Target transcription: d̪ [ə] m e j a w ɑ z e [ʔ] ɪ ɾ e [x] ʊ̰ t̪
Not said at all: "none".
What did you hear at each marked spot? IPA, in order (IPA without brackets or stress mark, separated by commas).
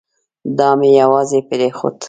ɑ, p, x